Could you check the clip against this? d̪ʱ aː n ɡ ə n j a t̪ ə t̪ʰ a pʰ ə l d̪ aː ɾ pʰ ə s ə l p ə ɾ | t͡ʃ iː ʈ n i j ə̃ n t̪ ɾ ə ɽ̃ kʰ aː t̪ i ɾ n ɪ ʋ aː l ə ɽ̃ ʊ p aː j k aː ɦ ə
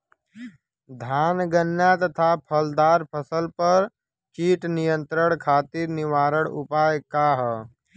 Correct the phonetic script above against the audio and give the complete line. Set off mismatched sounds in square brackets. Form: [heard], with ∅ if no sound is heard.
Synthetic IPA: d̪ʱ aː n ɡ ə n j a t̪ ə t̪ʰ a pʰ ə l d̪ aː ɾ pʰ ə s ə l p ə ɾ | t͡ʃ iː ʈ n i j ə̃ n t̪ ɾ ə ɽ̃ kʰ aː t̪ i ɾ n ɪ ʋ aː [ɾ] ə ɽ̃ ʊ p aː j k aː ɦ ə